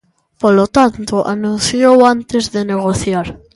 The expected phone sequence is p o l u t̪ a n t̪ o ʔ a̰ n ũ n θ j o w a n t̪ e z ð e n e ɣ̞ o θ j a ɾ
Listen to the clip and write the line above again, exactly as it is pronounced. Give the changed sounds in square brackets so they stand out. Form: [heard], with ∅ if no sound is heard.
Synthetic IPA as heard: p o l [o] t̪ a n t̪ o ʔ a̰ n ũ n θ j o w a n t̪ e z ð e n e ɣ̞ o θ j a ɾ